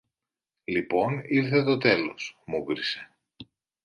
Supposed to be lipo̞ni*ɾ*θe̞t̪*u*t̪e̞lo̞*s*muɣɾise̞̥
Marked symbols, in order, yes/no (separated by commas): yes, no, yes